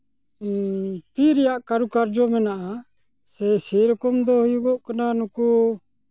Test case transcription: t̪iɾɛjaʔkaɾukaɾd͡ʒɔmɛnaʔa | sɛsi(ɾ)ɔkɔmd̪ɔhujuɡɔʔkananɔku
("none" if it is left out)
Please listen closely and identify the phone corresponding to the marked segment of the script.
ɾ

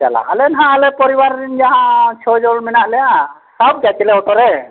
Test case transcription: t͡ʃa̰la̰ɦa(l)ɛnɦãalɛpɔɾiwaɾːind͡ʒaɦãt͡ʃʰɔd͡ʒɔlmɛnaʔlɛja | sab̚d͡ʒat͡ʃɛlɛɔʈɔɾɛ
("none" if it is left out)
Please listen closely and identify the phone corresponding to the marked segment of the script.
l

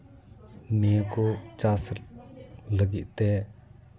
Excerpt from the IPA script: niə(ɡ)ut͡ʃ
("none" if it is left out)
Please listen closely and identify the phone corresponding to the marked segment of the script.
k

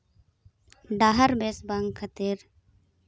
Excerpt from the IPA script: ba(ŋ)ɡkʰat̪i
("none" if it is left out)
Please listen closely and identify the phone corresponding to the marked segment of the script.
ŋ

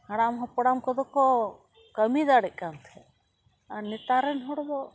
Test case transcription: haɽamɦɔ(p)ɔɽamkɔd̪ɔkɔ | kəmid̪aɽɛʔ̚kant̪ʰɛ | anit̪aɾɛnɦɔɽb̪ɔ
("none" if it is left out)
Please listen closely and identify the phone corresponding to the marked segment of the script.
p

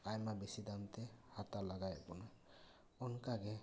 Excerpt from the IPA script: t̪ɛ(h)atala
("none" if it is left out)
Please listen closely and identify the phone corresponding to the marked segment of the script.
h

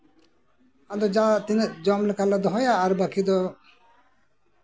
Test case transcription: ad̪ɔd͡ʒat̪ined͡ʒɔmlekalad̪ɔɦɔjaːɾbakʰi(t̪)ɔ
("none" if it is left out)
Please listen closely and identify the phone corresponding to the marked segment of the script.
d̪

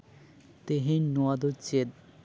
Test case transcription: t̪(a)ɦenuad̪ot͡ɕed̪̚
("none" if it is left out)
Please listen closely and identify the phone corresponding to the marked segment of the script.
e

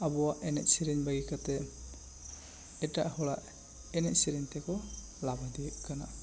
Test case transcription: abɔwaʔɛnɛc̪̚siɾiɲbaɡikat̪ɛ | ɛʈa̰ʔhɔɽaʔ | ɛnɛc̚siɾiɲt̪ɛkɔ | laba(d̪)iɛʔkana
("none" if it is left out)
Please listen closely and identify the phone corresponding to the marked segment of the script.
d̪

